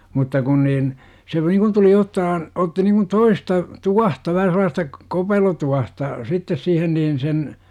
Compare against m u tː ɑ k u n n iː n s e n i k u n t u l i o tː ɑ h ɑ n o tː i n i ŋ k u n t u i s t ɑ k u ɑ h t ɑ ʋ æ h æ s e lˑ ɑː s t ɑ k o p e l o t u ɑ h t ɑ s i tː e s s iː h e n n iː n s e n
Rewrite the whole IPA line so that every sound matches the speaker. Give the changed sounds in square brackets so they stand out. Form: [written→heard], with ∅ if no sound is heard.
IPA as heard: m u tː ɑ k u n n iː n s e n i k u n t u l i o tː ɑ h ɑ n o tː i n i ŋ k u n t [u→o] i s t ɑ [k→t] u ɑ h t ɑ ʋ æ h æ s e lˑ ɑː s t ɑ k o p e l o t u ɑ h t ɑ s i tː e s s iː h e n n iː n s e n